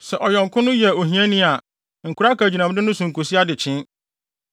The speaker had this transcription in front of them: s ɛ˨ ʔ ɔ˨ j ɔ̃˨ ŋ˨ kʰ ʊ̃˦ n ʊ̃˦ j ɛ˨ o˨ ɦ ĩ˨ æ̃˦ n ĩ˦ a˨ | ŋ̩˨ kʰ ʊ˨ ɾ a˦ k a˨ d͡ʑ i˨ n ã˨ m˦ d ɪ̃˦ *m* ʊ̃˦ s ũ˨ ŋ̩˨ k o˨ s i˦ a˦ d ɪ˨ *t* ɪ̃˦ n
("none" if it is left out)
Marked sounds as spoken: n, t͡ɕʰ

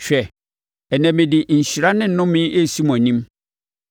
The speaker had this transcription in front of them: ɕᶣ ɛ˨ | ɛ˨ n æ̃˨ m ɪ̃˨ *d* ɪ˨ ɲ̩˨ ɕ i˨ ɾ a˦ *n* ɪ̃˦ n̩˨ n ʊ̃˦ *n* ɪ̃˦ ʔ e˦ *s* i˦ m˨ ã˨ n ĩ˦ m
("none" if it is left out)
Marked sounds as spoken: d, n, m, s

